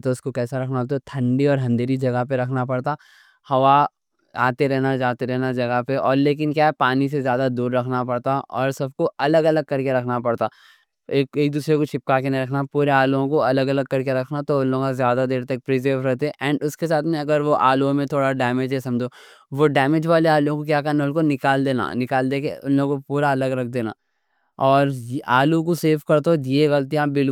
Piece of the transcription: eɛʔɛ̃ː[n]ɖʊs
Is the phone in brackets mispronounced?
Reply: yes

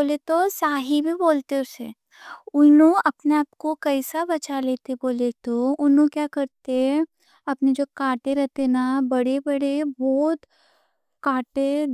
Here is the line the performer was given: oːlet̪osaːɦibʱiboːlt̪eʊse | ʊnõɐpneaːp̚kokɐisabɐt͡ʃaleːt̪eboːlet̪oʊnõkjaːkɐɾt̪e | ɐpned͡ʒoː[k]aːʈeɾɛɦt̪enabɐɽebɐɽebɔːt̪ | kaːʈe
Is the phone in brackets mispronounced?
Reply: no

